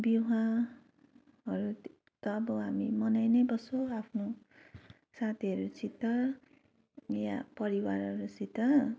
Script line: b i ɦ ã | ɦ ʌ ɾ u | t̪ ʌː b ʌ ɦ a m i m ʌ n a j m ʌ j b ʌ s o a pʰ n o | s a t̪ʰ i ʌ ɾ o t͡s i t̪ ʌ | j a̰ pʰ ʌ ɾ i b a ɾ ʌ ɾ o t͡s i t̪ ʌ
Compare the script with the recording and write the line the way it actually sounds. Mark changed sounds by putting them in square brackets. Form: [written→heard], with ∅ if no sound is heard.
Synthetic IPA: b i ɦ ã | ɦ ʌ ɾ u | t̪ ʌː b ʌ ɦ a m i m ʌ n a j [m→n] ʌ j b ʌ s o a pʰ n o | s a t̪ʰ i ʌ ɾ [o→u] t͡s i t̪ ʌ | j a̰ [pʰ→p] ʌ ɾ i [b→w] a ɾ ʌ ɾ [o→u] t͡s i t̪ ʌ